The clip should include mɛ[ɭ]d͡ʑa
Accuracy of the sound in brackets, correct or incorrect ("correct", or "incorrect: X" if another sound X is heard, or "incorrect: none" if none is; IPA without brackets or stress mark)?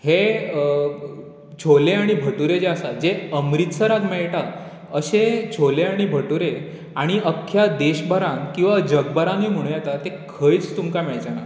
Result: correct